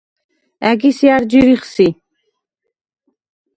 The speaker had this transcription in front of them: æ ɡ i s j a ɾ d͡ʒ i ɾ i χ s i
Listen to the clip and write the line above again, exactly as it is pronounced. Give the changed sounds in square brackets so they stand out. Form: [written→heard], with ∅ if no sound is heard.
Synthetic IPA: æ ɡ i s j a ɾ d͡ʒ i ɾ i χ s i